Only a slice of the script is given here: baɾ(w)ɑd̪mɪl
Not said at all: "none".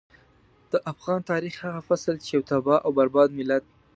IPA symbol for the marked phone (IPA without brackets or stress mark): b